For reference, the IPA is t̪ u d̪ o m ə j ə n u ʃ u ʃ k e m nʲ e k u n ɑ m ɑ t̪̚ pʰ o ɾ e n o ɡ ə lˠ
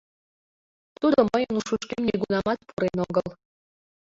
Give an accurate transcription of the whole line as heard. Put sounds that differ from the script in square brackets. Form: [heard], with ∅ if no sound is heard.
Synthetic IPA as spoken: t̪ u d̪ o m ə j ə n u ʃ u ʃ k e m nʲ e [ɡ] u n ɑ m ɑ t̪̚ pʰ [u] ɾ e n o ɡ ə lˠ